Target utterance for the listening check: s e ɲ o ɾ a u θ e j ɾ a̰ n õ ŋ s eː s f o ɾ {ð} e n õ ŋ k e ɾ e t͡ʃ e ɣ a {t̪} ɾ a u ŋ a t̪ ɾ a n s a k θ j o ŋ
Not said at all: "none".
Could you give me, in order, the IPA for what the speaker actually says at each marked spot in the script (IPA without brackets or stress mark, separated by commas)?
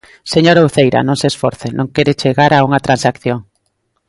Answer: θ, none